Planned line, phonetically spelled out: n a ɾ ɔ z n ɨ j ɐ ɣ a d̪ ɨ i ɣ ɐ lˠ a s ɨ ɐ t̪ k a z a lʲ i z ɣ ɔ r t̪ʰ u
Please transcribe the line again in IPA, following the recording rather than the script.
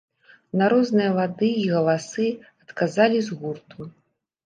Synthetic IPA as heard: n a ɾ ɔ z n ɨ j ɐ v a d̪ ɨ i ɣ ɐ lˠ a s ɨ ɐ t̪ k a z a lʲ i z ɣ u r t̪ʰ u